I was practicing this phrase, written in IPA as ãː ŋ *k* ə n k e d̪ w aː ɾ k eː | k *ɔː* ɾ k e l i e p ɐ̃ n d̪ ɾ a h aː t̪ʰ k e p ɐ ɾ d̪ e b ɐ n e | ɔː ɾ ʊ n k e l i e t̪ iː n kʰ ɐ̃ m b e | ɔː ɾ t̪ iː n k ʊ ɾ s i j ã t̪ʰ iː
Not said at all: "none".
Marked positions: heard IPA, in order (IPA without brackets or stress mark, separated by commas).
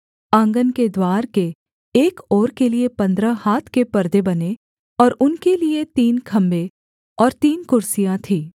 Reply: ɡ, ɔː